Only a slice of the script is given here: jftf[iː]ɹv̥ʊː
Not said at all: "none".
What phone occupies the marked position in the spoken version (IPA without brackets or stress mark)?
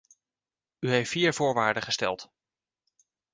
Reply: iː